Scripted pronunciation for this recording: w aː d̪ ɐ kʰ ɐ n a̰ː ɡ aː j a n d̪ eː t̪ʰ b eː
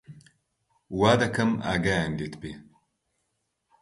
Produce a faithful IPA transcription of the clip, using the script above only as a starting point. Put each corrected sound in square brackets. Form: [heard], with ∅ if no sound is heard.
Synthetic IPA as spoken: w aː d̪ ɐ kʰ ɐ [m] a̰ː ɡ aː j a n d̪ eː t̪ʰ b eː